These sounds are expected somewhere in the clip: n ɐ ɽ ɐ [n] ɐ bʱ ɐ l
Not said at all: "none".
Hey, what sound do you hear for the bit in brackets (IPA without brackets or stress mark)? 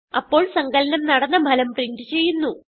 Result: nː